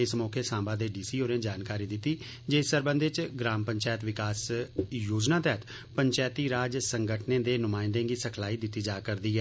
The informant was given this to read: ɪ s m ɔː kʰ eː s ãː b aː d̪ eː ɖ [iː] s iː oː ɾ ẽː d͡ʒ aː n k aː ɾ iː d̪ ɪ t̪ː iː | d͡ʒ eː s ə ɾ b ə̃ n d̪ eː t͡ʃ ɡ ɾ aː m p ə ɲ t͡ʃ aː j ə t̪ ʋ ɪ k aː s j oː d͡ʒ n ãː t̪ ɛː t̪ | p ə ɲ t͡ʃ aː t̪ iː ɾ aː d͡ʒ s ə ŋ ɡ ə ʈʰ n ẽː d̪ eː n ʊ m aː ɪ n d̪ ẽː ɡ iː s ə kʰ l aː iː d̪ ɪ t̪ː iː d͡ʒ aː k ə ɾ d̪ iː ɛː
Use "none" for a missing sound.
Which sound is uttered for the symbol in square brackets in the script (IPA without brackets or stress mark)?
iː